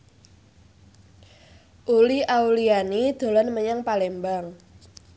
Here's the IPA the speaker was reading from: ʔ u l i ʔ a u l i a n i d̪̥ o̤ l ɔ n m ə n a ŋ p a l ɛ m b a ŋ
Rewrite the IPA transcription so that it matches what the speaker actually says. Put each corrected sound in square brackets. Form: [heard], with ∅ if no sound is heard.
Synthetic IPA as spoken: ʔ u l i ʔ a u l i a n i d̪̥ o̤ l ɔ n m ə [ɲ] a ŋ p a l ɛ m b a ŋ